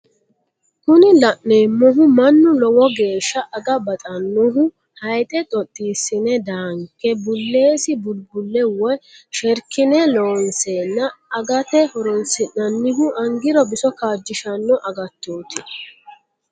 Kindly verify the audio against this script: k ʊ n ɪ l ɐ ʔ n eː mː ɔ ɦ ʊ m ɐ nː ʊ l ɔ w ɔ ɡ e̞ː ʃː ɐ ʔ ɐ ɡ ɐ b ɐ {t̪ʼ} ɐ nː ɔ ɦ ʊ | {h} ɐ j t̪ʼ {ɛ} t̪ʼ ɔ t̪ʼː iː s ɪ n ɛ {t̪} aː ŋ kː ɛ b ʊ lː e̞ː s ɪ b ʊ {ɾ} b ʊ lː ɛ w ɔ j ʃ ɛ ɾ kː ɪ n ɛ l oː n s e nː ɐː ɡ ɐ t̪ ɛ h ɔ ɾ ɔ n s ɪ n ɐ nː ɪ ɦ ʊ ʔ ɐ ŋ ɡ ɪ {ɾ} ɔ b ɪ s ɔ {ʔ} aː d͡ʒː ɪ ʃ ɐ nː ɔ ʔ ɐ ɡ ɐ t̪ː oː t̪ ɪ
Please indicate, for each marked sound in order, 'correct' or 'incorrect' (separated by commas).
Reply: correct, correct, correct, incorrect, incorrect, correct, incorrect